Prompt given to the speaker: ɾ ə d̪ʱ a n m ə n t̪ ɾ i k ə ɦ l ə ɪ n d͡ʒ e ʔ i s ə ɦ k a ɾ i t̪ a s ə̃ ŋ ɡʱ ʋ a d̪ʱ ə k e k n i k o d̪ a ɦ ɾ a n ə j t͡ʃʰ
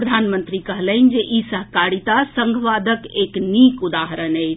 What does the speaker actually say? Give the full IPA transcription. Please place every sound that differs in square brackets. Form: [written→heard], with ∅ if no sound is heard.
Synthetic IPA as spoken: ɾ ə d̪ʱ a n m ə n t̪ ɾ i k ə ɦ l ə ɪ n d͡ʒ e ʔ i s ə ɦ k a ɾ i t̪ a s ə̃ ŋ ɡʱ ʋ a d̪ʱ ə k e k n i k [o→u] d̪ a ɦ ɾ [a→ə] n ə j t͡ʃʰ